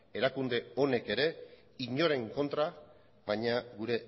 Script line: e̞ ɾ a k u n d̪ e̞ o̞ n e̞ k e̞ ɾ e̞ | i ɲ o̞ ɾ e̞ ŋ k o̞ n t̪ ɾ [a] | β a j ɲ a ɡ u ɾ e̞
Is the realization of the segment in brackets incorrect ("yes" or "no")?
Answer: no